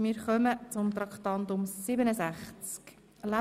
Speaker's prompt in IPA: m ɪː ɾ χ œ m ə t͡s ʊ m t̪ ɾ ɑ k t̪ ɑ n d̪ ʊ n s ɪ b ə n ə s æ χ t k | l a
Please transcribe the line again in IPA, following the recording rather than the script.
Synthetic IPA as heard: m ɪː ɾ χ œ m ə t͡s ʊ m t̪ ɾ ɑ k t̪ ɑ n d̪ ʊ m s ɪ b ə n ə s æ χ t͡s k | l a